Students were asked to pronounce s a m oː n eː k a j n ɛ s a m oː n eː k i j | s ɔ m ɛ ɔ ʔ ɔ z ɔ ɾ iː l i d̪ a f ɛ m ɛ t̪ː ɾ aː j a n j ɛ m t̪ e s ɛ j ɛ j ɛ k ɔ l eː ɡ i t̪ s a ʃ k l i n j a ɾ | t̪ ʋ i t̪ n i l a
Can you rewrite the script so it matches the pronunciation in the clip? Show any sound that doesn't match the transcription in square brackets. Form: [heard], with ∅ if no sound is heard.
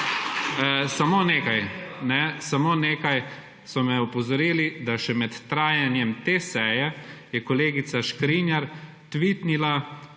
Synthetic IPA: s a m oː n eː k a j n ɛ s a m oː n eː k [a] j | s ɔ m ɛ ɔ [p] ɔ z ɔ ɾ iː l i d̪ a [ʃ] ɛ m ɛ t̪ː ɾ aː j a n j ɛ m t̪ e s ɛ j ɛ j ɛ k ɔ l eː ɡ i t̪ s a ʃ k [ɾ] i n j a ɾ | t̪ ʋ i t̪ n i l a